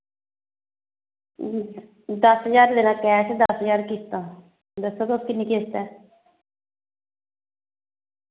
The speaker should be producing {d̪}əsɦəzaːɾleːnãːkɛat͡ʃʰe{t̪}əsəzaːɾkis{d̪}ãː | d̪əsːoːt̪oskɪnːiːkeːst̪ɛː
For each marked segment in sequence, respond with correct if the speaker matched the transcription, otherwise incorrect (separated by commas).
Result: correct, incorrect, incorrect